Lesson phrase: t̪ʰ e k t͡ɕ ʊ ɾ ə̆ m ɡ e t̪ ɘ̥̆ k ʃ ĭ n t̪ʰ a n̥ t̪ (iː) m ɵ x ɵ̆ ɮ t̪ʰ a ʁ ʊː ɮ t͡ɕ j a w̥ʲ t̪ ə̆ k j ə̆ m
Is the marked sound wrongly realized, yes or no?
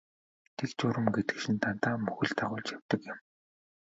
yes